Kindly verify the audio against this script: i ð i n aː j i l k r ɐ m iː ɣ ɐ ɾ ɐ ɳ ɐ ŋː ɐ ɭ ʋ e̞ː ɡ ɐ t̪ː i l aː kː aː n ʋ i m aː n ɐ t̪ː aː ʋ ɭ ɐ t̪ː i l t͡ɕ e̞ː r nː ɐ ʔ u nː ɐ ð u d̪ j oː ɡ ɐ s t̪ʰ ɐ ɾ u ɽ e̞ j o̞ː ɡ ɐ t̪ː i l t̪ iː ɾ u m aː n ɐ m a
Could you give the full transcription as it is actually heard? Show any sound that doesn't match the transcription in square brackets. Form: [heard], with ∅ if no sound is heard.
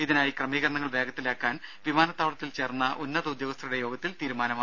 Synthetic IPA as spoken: i ð i n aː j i [∅] k r ɐ m iː ɣ ɐ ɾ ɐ ɳ ɐ ŋː ɐ ɭ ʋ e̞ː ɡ ɐ t̪ː i l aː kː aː n ʋ i m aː n ɐ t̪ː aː ʋ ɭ ɐ t̪ː i l t͡ɕ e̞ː r nː ɐ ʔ u nː ɐ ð u d̪ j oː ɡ ɐ s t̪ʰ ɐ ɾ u ɽ e̞ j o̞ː ɡ ɐ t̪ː i l t̪ iː ɾ u m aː n ɐ m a

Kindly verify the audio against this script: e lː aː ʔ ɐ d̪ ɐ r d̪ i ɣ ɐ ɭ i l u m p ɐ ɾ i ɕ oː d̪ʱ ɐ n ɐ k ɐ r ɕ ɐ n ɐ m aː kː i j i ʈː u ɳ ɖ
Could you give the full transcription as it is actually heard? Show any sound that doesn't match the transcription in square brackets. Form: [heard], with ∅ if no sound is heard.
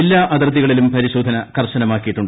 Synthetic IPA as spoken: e lː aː ʔ ɐ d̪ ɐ r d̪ i ɣ ɐ ɭ i l u m p ɐ ɾ i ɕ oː d̪ʱ ɐ n ɐ k ɐ r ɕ ɐ n ɐ m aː kː i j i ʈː u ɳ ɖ

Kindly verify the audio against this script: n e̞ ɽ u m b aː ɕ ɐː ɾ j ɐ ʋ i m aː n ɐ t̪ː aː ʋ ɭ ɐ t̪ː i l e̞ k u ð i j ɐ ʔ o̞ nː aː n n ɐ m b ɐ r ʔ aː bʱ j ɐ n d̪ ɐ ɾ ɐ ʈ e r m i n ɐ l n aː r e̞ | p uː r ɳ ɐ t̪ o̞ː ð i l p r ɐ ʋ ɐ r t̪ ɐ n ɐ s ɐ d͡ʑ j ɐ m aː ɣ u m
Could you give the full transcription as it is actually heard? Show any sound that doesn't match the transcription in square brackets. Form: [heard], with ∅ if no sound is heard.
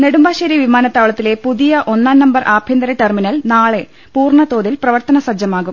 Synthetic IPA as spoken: n e̞ ɽ u m b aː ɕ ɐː ɾ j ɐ ʋ i m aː n ɐ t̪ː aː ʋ ɭ ɐ t̪ː i l e̞ [p] u ð i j ɐ ʔ o̞ nː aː n n ɐ m b ɐ r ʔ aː bʱ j ɐ n d̪ ɐ ɾ ɐ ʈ e r m i n ɐ l n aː [ɭ] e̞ | p uː r ɳ ɐ t̪ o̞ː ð i l p r ɐ ʋ ɐ r t̪ ɐ n ɐ s ɐ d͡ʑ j ɐ m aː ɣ u m

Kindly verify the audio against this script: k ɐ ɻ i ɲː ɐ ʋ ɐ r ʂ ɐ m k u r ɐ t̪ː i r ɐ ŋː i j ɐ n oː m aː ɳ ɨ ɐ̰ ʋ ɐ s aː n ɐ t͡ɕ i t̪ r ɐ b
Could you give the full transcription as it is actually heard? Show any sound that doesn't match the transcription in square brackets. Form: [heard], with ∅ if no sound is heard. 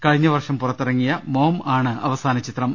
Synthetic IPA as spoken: k ɐ ɻ i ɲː ɐ ʋ ɐ r ʂ ɐ m [p] u r ɐ t̪ː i r ɐ ŋː i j ɐ [m] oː m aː ɳ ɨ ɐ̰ ʋ ɐ s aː n ɐ t͡ɕ i t̪ r ɐ [m]

